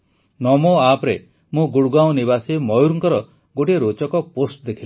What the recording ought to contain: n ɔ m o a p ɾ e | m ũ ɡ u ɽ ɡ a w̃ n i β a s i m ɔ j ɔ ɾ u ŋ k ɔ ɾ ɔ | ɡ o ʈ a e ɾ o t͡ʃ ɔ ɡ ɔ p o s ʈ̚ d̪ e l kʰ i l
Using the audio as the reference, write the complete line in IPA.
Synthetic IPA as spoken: n ɔ m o a p ɾ e | m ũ ɡ u ɽ ɡ a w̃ n i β a s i m ɔ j u ɾ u ŋ k ɔ ɾ ɔ | ɡ o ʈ i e ɾ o t͡ʃ ɔ k ɔ p o s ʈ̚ d̪ e kʰ i l